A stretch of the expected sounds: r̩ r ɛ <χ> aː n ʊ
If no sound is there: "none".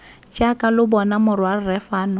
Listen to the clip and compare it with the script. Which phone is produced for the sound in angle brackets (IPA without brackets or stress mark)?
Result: f